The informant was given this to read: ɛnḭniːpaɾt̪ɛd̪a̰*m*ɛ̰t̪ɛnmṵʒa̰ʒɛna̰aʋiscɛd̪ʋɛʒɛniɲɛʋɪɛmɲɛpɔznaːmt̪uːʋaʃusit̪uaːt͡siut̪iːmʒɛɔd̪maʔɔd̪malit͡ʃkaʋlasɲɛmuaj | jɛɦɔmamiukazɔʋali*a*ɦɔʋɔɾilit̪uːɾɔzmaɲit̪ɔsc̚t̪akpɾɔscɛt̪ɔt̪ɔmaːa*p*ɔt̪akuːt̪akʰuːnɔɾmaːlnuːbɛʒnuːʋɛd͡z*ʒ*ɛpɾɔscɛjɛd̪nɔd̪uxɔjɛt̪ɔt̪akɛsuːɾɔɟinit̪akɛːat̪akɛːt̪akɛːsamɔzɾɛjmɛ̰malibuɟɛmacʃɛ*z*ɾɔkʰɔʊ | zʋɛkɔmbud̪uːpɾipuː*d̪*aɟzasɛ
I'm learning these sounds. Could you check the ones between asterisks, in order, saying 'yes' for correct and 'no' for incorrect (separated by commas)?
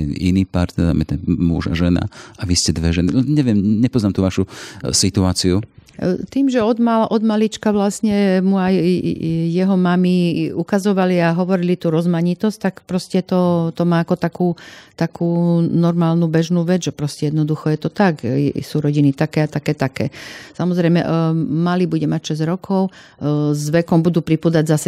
yes, yes, no, yes, yes, yes